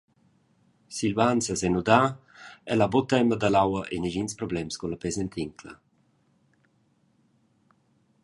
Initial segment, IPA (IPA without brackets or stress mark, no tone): s